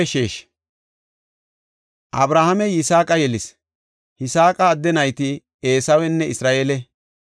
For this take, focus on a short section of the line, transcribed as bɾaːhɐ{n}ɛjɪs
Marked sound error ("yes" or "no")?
yes